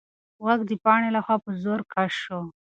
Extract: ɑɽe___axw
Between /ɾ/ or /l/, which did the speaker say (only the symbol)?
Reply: l